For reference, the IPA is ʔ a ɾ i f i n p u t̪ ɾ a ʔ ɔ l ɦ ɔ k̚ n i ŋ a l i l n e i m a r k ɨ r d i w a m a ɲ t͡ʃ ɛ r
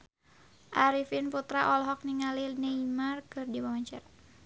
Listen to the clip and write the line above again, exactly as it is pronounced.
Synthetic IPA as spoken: ʔ a ɾ i f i n p u t̪ ɾ a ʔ ɔ l ɦ ɔ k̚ n i ŋ a l i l n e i m a r k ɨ r d i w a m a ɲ t͡ʃ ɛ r